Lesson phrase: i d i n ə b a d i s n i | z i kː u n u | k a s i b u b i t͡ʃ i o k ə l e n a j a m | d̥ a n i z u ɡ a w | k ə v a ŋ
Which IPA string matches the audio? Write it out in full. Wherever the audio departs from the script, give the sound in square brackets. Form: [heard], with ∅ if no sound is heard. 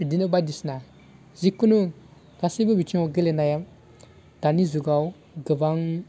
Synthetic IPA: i d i n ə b a d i s n [a] | z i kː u n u | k a s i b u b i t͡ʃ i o [ɡ] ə l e n a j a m | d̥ a n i z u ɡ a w | [ɡ] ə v a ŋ